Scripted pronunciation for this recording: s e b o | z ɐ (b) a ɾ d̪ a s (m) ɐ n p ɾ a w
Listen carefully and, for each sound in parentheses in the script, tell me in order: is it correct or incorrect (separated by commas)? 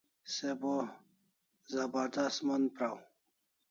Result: correct, correct